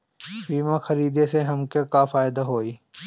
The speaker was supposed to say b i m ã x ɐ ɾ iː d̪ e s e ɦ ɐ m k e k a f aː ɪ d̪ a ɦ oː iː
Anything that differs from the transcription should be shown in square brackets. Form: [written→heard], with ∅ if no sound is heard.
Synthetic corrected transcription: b [i→iː] m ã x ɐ ɾ iː d̪ e s e ɦ ɐ m k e k a f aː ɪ d̪ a ɦ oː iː